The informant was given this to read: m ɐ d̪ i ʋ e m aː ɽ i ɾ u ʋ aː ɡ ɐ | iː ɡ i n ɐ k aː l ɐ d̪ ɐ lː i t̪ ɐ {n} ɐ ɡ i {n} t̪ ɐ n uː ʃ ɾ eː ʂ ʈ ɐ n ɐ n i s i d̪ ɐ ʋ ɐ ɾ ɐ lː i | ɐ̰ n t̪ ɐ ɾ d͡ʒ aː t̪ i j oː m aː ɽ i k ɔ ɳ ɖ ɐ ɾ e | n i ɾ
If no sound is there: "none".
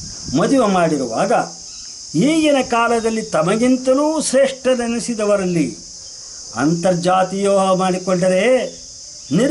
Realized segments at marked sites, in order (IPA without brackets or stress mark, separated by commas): m, n